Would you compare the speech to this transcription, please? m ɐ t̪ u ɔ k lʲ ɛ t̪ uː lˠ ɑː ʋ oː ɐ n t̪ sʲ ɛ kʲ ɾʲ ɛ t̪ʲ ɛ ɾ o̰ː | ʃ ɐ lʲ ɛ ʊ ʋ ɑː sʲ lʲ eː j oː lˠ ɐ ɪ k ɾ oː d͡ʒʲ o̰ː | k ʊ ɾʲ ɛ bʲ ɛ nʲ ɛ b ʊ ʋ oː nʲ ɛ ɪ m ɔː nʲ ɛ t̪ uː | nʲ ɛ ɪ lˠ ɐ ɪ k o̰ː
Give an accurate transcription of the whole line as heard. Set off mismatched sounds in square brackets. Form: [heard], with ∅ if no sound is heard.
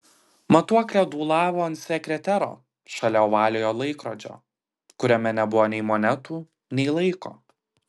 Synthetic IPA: m ɐ t̪ u ɔ k lʲ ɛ [d̪] uː lˠ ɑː ʋ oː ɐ n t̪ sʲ ɛ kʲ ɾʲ ɛ t̪ʲ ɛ ɾ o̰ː | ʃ ɐ lʲ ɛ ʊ ʋ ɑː [∅] lʲ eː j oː lˠ ɐ ɪ k ɾ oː d͡ʒʲ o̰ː | k ʊ ɾʲ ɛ [mʲ] ɛ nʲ ɛ b ʊ ʋ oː nʲ ɛ ɪ m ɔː nʲ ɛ t̪ uː | nʲ ɛ ɪ lˠ ɐ ɪ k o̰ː

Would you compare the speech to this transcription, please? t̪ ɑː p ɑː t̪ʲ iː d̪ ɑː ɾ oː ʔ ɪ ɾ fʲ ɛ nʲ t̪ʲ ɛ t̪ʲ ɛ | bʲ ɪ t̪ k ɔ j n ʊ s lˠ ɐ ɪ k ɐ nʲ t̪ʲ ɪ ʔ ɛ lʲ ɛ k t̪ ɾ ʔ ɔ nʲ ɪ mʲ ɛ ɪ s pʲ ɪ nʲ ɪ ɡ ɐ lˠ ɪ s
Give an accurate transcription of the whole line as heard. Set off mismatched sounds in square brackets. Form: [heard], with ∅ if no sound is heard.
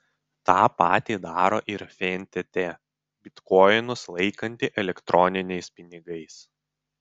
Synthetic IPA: t̪ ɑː p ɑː t̪ʲ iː d̪ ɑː ɾ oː ʔ ɪ ɾ fʲ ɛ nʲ t̪ʲ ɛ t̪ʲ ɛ | bʲ ɪ t̪ k ɔ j n ʊ s lˠ ɐ ɪ k ɐ nʲ t̪ʲ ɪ ʔ ɛ lʲ ɛ k t̪ ɾ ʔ ɔ nʲ ɪ [nʲ] ɛ ɪ s pʲ ɪ nʲ ɪ ɡ ɐ [∅] ɪ s

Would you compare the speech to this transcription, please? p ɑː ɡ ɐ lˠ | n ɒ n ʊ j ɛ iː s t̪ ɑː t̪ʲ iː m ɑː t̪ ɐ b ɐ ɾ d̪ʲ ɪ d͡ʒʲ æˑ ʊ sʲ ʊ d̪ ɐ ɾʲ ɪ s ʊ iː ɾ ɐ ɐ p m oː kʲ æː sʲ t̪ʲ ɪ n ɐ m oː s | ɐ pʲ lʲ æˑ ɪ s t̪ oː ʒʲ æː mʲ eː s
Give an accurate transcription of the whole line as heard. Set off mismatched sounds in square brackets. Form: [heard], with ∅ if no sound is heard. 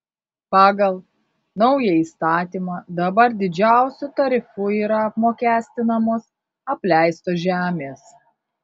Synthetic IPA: p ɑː ɡ ɐ lˠ | n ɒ [∅] ʊ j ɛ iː s t̪ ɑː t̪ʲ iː m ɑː [d̪] ɐ b ɐ ɾ d̪ʲ ɪ d͡ʒʲ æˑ ʊ sʲ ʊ [t̪] ɐ ɾʲ ɪ [f] ʊ iː ɾ ɐ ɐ p m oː kʲ æː sʲ t̪ʲ ɪ n ɐ m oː s | ɐ pʲ lʲ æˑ ɪ s t̪ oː ʒʲ æː mʲ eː s

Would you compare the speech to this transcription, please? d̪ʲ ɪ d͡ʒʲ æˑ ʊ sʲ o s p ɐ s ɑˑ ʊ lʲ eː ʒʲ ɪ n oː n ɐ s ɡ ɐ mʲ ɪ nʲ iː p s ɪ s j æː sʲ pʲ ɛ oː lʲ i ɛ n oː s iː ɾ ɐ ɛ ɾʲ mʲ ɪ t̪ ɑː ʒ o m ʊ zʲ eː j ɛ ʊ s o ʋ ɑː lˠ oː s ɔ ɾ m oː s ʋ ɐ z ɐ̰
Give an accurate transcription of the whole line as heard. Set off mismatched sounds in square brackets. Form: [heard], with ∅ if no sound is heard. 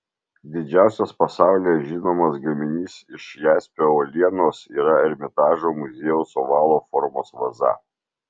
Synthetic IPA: d̪ʲ ɪ d͡ʒʲ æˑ ʊ sʲ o s p ɐ s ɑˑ ʊ lʲ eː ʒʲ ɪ n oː [m] ɐ s ɡ ɐ mʲ ɪ nʲ iː [∅] s ɪ [ʃ] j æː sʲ pʲ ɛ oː lʲ i ɛ n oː s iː ɾ ɐ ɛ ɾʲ mʲ ɪ t̪ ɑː ʒ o m ʊ zʲ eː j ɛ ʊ s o ʋ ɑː lˠ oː [f] ɔ ɾ m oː s ʋ ɐ z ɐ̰

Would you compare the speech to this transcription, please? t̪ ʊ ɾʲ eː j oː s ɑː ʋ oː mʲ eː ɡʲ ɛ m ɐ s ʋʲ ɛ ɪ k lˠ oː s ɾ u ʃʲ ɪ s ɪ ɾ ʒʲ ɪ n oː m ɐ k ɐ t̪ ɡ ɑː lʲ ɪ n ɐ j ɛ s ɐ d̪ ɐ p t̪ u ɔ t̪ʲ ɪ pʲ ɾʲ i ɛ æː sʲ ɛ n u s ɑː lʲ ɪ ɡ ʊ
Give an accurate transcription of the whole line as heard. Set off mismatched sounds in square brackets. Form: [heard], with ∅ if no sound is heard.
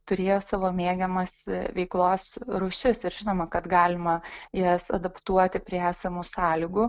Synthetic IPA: t̪ ʊ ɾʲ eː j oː s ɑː ʋ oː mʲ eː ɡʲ ɛ m ɐ s ʋʲ ɛ ɪ k lˠ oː s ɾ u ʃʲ ɪ s ɪ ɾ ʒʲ ɪ n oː m ɐ k ɐ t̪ ɡ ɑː lʲ ɪ [m] ɐ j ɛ s ɐ d̪ ɐ p t̪ u ɔ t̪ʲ ɪ pʲ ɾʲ i ɛ æː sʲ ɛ [m] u s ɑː lʲ ɪ ɡ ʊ

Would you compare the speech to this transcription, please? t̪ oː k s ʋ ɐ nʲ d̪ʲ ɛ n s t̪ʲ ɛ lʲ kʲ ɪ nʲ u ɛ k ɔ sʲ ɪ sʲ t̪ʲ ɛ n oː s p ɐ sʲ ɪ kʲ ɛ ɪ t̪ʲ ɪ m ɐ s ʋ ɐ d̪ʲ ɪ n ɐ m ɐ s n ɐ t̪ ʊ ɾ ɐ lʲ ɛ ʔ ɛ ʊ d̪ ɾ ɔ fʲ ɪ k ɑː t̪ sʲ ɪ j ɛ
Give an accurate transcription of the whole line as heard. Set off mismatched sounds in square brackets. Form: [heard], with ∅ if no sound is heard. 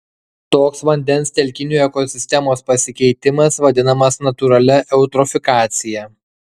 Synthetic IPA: t̪ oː k s ʋ ɐ nʲ d̪ʲ ɛ n s t̪ʲ ɛ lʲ kʲ ɪ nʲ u ɛ k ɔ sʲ ɪ sʲ t̪ʲ ɛ [m] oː s p ɐ sʲ ɪ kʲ ɛ ɪ t̪ʲ ɪ m ɐ s ʋ ɐ d̪ʲ ɪ n ɐ m ɐ s n ɐ t̪ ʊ ɾ ɐ lʲ ɛ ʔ ɛ ʊ [t̪] ɾ ɔ fʲ ɪ k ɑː t̪ sʲ ɪ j ɛ

